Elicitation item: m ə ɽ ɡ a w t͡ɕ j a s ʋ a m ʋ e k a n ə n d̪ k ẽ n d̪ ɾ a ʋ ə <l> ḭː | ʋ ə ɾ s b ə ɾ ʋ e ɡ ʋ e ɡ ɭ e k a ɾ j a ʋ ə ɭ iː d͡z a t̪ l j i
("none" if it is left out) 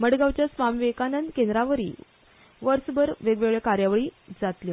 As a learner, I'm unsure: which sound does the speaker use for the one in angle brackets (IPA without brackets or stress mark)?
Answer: ɾ